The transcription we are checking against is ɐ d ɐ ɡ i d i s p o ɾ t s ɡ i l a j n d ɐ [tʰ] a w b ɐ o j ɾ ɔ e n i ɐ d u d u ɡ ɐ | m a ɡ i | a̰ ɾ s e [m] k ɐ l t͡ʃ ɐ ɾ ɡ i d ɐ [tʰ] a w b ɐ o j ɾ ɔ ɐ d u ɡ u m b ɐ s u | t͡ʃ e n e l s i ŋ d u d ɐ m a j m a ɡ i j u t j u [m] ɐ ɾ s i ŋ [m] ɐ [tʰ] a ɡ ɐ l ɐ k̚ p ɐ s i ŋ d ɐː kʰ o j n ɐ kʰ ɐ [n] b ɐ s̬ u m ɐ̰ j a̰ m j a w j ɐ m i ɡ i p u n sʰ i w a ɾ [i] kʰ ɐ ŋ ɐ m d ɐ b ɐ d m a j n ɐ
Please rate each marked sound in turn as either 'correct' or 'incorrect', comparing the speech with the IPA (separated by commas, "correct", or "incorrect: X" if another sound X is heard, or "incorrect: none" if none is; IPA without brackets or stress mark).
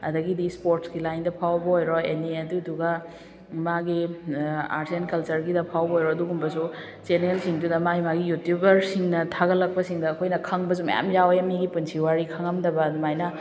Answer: incorrect: pʰ, incorrect: n, incorrect: pʰ, incorrect: b, incorrect: n, correct, incorrect: ŋ, correct